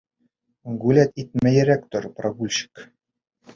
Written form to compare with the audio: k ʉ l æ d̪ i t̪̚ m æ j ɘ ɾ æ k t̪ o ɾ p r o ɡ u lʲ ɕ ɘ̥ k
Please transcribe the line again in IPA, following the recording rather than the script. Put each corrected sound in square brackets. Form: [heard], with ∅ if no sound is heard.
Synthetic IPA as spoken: [ɡ] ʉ l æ [t̪] i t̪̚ m æ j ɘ ɾ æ k t̪ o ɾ p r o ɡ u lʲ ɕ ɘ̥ k